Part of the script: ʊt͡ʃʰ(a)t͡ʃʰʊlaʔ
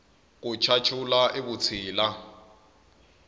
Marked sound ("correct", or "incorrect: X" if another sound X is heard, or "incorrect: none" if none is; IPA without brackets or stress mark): correct